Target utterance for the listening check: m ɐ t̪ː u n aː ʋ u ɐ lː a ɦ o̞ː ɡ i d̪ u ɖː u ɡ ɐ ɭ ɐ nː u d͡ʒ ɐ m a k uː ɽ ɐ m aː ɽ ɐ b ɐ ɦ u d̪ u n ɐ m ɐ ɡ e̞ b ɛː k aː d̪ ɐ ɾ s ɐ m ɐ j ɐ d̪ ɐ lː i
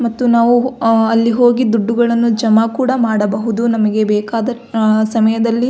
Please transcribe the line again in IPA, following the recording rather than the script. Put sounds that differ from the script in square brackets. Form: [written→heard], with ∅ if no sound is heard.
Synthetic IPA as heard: m ɐ t̪ː u n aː ʋ u ɐ lː [a→i] ɦ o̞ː ɡ i d̪ u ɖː u ɡ ɐ ɭ ɐ nː u d͡ʒ ɐ m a k uː ɽ ɐ m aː ɽ ɐ b ɐ ɦ u d̪ u n ɐ m ɐ ɡ e̞ b ɛː k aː d̪ ɐ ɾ s ɐ m ɐ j ɐ d̪ ɐ lː i